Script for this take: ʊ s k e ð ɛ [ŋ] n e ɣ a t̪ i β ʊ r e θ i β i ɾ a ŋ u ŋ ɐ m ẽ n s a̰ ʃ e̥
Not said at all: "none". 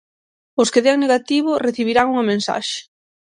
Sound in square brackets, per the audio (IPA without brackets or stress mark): ŋ